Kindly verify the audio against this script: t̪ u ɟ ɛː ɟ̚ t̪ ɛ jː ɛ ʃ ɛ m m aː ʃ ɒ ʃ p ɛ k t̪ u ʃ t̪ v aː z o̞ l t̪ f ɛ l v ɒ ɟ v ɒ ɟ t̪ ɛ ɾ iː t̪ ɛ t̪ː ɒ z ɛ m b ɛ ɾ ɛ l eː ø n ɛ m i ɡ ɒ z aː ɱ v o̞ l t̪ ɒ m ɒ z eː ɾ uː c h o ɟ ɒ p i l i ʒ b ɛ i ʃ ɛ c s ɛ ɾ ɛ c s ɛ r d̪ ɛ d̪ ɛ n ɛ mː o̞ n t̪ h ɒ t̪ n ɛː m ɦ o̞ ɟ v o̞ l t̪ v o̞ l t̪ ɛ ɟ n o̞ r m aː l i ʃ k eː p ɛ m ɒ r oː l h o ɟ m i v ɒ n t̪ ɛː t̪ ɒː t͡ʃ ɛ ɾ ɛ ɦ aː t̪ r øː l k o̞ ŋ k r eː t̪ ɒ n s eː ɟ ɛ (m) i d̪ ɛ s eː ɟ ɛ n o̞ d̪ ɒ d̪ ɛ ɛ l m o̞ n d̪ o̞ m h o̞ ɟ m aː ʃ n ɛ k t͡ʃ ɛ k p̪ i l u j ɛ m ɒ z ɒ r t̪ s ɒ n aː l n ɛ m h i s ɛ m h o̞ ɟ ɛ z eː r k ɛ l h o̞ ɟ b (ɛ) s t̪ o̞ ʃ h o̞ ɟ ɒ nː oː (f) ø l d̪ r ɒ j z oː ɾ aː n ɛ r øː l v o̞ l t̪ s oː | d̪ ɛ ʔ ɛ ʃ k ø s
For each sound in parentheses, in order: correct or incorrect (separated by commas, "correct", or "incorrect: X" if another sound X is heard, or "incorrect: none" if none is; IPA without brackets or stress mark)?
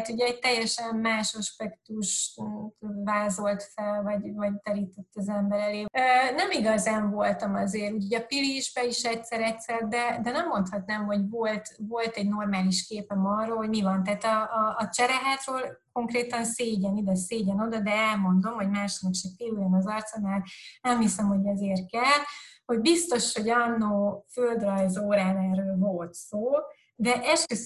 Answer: incorrect: n, incorrect: i, correct